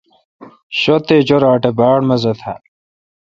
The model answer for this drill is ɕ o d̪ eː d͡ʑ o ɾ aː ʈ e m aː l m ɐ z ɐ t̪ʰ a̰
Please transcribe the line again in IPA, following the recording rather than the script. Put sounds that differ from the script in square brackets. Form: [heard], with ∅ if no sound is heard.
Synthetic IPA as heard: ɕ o [t̪] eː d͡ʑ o ɾ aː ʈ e [b] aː [ɽ] m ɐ z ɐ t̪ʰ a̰